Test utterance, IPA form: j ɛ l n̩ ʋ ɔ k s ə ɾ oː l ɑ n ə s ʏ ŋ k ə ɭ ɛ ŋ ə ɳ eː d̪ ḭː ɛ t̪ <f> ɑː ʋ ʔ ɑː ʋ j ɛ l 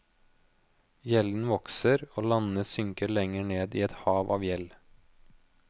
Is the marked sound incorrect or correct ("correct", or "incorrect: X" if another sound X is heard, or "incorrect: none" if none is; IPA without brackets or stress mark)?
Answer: incorrect: h